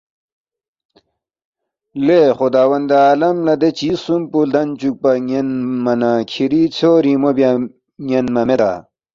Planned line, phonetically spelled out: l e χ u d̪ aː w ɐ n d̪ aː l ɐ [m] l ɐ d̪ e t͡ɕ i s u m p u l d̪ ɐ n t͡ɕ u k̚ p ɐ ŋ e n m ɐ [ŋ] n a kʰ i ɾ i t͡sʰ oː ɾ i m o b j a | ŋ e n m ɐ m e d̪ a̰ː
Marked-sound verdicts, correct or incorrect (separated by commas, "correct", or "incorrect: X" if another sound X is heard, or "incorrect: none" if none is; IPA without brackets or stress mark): correct, incorrect: none